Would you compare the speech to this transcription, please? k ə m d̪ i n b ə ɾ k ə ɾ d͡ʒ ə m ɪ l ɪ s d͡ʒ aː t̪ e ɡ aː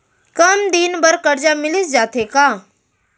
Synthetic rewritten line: k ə m d̪ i n b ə ɾ k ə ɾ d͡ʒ a m ɪ l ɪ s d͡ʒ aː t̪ e k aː